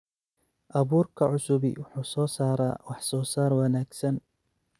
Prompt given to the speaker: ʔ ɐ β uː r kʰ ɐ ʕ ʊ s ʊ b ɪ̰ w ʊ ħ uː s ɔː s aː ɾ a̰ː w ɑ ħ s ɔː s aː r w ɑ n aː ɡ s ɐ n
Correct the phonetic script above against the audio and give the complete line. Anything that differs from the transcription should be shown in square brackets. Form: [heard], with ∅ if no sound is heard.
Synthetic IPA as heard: ʔ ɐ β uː r kʰ ɐ ʕ ʊ s ʊ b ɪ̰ w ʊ ħ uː s ɔː s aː ɾ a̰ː w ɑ ħ s ɔː s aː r w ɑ n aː ɡ s ɐ n